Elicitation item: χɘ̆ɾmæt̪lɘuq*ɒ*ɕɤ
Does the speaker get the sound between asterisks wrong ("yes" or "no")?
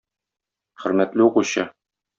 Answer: yes